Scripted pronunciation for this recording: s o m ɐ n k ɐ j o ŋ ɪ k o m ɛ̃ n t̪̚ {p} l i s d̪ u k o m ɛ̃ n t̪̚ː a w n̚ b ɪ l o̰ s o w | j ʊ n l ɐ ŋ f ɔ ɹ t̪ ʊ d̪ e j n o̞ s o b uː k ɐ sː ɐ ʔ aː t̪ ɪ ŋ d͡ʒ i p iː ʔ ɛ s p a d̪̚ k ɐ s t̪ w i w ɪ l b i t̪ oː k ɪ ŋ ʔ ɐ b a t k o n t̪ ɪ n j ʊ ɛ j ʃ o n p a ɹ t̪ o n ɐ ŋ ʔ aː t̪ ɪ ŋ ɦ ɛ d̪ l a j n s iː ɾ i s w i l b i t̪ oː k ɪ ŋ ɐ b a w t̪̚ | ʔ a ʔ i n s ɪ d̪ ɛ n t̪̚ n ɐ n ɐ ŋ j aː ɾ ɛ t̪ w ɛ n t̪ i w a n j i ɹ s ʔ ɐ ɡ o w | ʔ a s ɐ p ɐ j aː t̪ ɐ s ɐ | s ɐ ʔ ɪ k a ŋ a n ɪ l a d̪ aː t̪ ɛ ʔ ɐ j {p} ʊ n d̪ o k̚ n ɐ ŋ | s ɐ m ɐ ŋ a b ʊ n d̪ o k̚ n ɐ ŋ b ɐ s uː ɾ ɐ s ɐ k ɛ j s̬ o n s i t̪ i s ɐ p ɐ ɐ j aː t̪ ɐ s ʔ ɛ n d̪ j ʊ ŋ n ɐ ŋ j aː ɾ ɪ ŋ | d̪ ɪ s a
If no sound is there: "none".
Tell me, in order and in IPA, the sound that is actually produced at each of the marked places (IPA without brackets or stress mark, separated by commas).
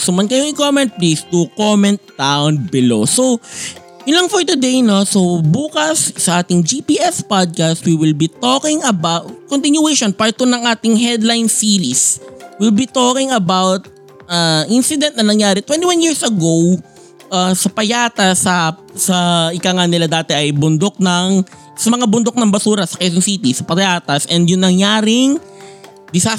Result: p, b